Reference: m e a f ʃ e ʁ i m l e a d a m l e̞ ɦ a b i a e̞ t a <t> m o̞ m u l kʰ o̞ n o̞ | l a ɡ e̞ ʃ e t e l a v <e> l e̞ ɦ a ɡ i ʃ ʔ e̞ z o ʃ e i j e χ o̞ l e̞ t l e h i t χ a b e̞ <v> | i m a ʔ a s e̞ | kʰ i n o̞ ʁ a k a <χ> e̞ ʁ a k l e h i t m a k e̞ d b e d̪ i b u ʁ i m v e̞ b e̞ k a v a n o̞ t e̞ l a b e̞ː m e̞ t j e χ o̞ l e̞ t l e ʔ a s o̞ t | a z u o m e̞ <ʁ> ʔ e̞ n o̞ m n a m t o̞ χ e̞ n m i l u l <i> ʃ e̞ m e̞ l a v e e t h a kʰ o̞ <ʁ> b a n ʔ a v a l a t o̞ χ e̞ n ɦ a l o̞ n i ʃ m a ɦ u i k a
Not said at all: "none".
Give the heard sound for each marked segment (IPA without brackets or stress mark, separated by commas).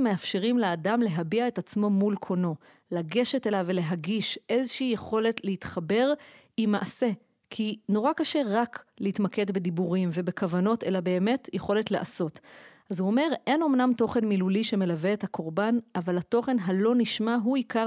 t͡s, e, ʁ, ʃ, ʁ, i, ʁ